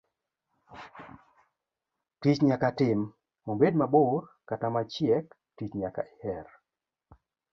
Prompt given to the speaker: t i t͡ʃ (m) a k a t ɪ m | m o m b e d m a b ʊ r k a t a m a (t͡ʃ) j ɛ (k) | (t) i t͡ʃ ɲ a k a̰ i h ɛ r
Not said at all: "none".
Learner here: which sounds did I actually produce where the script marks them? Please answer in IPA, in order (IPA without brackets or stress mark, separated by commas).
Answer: ɲ, t͡ʃ, k, t